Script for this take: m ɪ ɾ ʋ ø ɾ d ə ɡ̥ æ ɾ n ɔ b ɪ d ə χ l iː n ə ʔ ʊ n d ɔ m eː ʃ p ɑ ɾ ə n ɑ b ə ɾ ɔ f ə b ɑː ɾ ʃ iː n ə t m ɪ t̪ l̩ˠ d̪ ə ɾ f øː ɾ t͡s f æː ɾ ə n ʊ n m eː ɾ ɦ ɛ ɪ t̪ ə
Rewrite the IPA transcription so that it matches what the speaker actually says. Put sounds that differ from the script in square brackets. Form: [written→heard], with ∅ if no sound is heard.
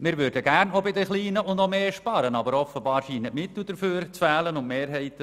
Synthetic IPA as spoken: m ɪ ɾ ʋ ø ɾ d ə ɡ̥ æ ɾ n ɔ b ɪ d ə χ l iː n ə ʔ ʊ n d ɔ m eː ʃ p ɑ ɾ ə n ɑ b ə ɾ ɔ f ə b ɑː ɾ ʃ iː n ə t m ɪ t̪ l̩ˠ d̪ ə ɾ f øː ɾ t͡s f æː [ɾ→l] ə n ʊ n m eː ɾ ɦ ɛ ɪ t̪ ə